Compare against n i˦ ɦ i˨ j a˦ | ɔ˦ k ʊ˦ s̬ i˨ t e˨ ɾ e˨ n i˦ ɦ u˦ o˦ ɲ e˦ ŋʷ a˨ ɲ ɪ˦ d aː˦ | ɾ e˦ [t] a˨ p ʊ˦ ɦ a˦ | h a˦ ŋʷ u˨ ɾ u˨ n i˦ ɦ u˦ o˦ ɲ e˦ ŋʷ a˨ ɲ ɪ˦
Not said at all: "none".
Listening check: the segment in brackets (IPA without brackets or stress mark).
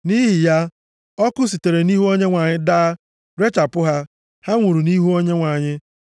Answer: t͡ʃ